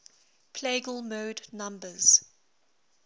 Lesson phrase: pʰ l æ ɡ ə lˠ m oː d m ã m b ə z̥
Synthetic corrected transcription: pʰ l e ɡ ə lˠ m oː d n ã m b ə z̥